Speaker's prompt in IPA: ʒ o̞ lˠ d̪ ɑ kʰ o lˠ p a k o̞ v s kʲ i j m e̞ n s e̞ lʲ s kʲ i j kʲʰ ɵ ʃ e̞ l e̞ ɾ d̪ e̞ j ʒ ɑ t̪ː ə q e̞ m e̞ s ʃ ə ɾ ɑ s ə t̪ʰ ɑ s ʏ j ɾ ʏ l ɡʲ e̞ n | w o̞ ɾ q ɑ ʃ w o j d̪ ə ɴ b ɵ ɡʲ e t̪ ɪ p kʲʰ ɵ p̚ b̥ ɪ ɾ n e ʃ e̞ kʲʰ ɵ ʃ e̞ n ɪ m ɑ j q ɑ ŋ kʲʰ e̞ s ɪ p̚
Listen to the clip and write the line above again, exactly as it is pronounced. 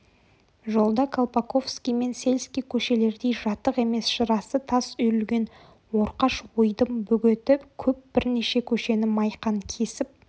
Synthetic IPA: ʒ o̞ lˠ d̪ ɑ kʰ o lˠ p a k o̞ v s kʲ i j m e̞ n s e̞ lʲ s kʲ i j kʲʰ ɵ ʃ e̞ l e̞ ɾ d̪ e̞ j ʒ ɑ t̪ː ə q e̞ m e̞ s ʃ ə ɾ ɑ s ə t̪ʰ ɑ s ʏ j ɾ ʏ l ɡʲ e̞ n | w o̞ ɾ q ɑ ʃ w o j d̪ ə m b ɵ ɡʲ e t̪ ɪ p kʲʰ ɵ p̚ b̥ ɪ ɾ n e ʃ e̞ kʲʰ ɵ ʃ e̞ n ɪ m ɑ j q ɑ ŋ kʲʰ e̞ s ɪ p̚